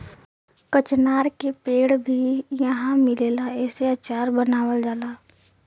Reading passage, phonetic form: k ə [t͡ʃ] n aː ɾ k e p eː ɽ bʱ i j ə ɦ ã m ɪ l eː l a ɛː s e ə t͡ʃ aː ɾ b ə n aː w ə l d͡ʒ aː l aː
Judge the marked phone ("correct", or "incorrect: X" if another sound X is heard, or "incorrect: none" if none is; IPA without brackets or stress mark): correct